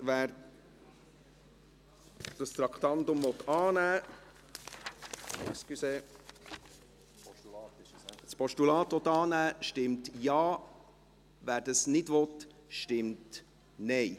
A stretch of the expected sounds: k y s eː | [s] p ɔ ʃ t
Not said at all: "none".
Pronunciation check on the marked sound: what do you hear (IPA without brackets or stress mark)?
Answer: s